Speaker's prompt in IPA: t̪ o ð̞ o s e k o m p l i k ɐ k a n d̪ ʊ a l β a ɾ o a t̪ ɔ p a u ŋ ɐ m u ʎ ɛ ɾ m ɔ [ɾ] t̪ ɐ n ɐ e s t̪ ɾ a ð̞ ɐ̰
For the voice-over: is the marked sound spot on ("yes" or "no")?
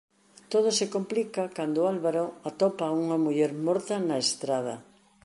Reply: yes